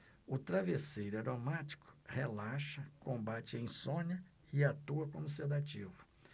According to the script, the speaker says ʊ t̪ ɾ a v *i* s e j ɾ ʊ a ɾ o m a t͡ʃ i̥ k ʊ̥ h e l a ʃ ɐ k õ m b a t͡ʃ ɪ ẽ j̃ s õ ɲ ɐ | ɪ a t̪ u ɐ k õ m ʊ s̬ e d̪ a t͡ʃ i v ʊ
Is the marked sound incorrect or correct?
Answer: incorrect